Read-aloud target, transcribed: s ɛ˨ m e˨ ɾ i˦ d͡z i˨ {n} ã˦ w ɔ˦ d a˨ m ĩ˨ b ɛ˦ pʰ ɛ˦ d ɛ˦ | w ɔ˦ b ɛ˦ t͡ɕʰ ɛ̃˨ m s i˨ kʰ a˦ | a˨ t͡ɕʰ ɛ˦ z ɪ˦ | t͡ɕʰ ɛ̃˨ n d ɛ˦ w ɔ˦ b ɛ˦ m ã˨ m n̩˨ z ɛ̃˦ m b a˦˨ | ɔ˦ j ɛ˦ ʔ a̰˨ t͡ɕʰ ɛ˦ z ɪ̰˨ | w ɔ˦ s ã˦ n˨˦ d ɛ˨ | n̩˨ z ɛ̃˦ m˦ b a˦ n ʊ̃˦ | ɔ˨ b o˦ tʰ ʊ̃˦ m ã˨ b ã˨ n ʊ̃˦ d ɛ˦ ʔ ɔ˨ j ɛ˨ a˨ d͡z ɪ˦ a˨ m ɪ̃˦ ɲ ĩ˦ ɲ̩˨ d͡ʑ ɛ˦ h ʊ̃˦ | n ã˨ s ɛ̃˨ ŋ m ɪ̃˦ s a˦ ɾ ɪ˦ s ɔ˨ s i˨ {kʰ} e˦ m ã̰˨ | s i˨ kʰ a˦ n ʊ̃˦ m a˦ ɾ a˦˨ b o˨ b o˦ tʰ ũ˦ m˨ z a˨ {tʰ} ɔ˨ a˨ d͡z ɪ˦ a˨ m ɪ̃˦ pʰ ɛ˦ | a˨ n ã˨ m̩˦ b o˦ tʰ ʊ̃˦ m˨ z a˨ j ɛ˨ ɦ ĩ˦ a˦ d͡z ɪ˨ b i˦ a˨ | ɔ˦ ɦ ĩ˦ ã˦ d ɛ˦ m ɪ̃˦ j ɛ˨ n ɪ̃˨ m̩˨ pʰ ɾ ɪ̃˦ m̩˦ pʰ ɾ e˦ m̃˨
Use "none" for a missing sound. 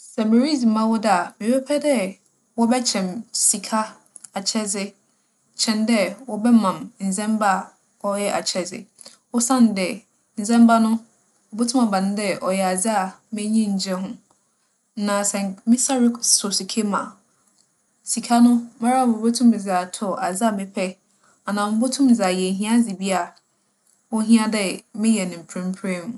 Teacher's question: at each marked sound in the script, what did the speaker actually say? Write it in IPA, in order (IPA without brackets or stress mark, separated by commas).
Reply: m, kʰ, tʰ